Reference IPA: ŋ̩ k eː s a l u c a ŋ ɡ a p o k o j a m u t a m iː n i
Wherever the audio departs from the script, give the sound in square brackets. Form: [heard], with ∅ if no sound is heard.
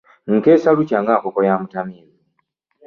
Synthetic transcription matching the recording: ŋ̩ k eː s a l u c a ŋ ɡ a [k] o k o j a m u t a m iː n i